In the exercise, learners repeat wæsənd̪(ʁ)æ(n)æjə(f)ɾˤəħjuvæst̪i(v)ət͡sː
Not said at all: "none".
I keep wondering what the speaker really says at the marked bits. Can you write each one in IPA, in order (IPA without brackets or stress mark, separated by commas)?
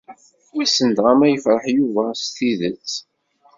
ʁ, m, f, ð